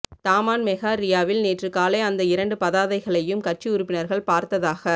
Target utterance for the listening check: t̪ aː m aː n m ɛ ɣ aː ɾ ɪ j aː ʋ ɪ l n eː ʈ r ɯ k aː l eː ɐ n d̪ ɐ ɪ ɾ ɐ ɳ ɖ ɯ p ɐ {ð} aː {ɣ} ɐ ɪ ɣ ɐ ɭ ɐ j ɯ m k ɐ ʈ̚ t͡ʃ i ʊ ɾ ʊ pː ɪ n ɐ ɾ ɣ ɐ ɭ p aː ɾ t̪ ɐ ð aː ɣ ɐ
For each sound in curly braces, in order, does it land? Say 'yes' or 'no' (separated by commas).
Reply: yes, no